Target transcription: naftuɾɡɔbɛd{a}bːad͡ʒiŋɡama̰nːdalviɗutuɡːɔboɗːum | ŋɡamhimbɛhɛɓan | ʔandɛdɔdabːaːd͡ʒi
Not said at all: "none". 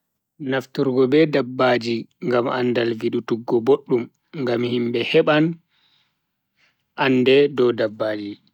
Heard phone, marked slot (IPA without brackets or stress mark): a